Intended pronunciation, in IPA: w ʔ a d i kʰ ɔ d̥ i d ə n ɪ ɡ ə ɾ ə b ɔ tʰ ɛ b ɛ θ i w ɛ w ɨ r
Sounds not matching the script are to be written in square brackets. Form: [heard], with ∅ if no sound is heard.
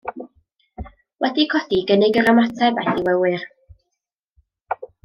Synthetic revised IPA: w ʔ [ɛ] d i kʰ ɔ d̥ i [ɡ] ə n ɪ ɡ ə ɾ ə [m] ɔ tʰ ɛ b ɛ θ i w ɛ w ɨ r